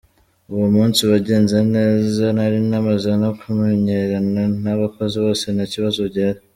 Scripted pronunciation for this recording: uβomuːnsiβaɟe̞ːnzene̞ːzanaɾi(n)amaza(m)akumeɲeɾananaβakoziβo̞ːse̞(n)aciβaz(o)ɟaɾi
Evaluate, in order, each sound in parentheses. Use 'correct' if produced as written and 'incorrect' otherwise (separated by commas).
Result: correct, incorrect, correct, correct